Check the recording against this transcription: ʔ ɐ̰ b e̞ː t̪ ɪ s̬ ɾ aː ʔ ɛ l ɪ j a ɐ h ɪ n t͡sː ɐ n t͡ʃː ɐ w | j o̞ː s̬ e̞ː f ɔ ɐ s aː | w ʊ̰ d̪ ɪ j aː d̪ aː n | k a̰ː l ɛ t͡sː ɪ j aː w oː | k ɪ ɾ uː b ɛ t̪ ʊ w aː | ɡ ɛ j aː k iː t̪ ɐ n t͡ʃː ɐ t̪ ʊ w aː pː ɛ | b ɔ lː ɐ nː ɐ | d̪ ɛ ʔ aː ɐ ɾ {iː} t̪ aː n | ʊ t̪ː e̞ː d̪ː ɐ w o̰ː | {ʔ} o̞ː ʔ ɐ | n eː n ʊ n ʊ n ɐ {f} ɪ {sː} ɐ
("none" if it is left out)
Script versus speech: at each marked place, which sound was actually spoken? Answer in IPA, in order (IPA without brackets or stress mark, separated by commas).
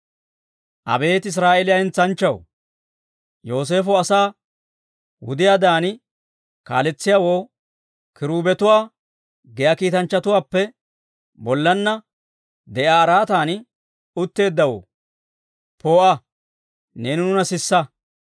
aː, p, s, sː